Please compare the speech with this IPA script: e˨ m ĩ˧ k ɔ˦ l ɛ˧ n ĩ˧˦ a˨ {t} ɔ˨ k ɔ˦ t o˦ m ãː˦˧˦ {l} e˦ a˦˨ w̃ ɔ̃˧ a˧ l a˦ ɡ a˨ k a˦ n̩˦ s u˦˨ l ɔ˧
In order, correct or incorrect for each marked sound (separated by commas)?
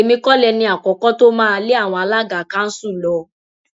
incorrect, correct